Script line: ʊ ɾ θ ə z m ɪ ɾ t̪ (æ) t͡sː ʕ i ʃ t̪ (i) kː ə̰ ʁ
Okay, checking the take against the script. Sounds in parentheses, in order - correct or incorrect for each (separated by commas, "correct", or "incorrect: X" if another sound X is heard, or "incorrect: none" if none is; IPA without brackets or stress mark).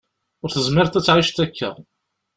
correct, incorrect: æ